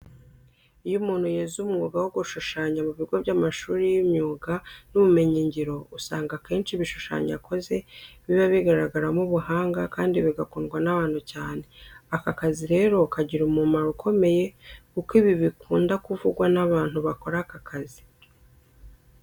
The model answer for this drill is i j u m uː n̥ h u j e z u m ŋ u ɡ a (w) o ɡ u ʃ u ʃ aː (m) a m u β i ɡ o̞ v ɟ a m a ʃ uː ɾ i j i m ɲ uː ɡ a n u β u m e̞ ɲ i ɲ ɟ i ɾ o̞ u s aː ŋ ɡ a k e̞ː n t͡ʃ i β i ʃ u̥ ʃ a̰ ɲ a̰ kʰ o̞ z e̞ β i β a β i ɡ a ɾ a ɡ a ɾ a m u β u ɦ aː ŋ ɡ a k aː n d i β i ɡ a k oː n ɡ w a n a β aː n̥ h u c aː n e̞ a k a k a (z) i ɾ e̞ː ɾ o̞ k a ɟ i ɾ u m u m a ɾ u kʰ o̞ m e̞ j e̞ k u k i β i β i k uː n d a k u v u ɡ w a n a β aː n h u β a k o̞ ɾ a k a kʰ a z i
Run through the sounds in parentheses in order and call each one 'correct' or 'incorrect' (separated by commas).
correct, incorrect, correct